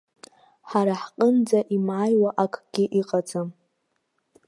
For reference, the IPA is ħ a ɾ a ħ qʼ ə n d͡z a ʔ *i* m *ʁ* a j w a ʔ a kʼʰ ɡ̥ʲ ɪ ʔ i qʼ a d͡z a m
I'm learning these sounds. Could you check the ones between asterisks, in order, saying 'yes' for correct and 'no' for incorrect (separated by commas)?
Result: yes, no